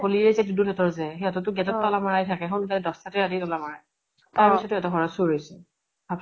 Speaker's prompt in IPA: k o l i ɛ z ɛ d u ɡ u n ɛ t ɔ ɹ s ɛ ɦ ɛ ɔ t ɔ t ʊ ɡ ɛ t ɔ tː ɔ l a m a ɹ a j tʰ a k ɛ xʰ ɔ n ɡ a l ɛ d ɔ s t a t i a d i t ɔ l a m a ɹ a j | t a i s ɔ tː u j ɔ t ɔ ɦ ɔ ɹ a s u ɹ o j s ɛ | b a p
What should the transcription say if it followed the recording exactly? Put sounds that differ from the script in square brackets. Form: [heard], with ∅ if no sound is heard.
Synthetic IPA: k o l i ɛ z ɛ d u [d] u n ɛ t ɔ ɹ [z] ɛ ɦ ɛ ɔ t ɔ t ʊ ɡ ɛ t ɔ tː ɔ l a m a ɹ a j tʰ a k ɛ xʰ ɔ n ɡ a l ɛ d ɔ s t a t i a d i t ɔ l a m a ɹ a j | t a i s ɔ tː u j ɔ t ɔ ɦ ɔ ɹ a s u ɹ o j s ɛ | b a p